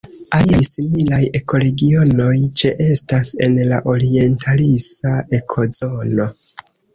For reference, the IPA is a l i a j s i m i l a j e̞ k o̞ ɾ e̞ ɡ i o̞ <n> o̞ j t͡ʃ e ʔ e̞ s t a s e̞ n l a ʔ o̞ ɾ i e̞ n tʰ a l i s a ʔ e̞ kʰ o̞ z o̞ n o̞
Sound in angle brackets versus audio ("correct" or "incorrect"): correct